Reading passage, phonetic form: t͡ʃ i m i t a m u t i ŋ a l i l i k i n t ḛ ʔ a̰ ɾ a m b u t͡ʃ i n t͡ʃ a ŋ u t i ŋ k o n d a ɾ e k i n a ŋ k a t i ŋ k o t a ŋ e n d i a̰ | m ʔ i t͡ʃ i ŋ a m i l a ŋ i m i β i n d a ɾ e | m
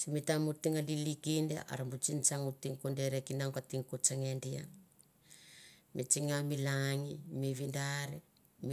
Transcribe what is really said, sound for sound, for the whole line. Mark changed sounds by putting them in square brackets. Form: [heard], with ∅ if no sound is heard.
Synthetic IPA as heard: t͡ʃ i m i t a m u t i ŋ a l i l i k i n [d] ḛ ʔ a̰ ɾ a m b u t͡ʃ i n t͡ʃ a ŋ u t i ŋ k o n d [e] ɾ e k i n a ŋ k a t i ŋ k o [t͡ʃ] a ŋ e n d i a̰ | m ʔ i t͡ʃ i ŋ a m i l a ŋ i m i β i n d a ɾ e | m